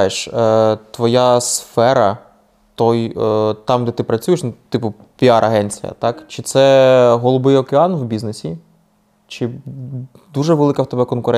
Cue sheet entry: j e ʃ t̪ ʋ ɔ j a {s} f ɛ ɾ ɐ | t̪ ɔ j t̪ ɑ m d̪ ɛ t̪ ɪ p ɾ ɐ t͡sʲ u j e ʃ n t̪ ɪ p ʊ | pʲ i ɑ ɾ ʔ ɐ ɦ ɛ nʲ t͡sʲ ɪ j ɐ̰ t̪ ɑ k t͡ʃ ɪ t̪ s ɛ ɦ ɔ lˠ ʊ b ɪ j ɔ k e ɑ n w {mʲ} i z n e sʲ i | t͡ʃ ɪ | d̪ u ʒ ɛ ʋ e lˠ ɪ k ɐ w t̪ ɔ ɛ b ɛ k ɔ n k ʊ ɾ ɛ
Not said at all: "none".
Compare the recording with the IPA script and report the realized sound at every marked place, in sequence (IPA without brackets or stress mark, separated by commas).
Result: s, bʲ